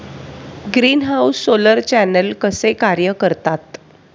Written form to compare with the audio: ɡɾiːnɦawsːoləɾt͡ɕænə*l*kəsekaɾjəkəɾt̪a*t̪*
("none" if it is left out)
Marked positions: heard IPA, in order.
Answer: l, t̪

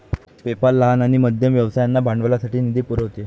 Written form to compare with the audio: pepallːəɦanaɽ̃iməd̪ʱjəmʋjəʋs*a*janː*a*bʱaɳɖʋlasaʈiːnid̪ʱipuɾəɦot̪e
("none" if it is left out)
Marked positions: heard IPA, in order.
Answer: a, a

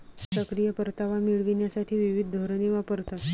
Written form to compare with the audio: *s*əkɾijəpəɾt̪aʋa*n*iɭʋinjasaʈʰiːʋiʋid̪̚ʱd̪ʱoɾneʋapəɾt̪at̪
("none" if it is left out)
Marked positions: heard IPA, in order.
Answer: s, m

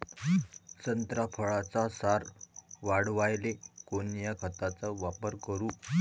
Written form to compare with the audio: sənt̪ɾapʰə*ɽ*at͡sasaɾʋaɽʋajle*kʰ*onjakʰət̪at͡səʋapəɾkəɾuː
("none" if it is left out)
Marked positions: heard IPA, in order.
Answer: ɭ, k

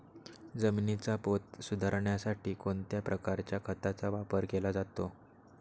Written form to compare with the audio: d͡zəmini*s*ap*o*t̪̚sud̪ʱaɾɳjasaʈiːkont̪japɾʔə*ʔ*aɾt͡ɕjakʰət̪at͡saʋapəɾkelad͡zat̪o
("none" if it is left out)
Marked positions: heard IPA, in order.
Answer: t͡s, o, k

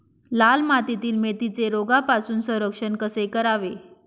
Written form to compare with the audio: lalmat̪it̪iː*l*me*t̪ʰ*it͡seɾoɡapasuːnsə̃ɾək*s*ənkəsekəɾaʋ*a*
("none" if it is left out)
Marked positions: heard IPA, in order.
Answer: l, t̪, ʂ, e

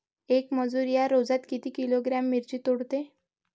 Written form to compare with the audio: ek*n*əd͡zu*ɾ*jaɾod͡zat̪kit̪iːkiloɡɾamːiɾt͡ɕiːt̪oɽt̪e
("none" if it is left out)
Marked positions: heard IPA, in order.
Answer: m, ɾ

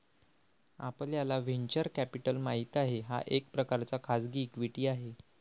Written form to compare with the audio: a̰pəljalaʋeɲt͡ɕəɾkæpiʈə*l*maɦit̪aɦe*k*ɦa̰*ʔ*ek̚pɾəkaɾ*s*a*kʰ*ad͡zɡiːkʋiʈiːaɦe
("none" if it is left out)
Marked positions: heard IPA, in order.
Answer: l, none, ʔ, t͡s, kʰ

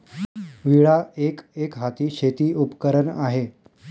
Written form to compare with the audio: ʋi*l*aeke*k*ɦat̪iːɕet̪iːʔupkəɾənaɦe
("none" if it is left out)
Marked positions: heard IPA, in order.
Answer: ɭ, k

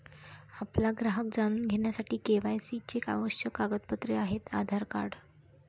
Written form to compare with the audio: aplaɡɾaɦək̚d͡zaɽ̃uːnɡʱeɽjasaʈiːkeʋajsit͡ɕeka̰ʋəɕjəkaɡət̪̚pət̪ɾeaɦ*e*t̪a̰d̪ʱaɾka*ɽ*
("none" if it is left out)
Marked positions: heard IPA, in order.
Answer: e, ɽ

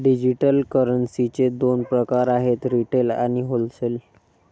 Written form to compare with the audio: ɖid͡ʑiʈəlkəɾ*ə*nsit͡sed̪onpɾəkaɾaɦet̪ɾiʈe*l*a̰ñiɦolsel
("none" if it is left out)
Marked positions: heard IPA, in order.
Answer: ə, l

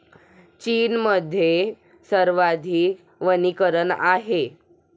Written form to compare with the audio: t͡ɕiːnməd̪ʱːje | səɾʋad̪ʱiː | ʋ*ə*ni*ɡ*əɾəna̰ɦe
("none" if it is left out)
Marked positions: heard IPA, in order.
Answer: ə, k

